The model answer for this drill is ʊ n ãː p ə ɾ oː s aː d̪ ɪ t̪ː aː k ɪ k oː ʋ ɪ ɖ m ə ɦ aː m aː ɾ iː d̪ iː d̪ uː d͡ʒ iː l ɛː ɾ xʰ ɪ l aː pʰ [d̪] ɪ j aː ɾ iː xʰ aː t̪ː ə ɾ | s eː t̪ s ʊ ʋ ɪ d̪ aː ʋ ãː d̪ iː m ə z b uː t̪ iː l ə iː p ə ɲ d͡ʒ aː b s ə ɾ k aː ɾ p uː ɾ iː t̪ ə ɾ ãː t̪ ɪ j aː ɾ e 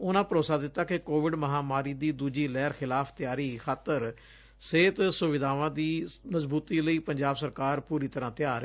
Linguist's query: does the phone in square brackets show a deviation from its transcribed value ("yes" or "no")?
yes